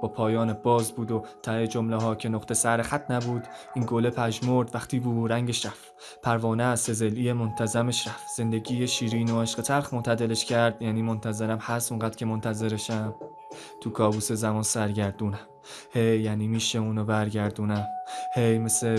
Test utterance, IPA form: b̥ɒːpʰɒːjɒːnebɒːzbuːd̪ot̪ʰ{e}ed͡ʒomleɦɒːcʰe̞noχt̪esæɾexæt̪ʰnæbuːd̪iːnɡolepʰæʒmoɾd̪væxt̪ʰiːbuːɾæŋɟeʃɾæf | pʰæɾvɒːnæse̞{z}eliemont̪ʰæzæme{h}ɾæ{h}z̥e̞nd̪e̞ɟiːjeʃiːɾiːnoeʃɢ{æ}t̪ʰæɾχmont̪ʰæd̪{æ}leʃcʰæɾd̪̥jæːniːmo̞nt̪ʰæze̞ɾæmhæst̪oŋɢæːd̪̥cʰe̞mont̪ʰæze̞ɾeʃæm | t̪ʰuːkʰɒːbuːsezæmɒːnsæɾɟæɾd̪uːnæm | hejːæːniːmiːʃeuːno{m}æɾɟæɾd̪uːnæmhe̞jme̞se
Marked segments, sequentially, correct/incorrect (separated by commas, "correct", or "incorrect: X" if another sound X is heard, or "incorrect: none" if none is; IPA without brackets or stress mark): incorrect: æ, correct, incorrect: ʃ, incorrect: f, incorrect: e, incorrect: e, incorrect: b